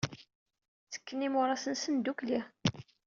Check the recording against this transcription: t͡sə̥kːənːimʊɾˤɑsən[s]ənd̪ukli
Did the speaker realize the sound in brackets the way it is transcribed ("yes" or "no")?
yes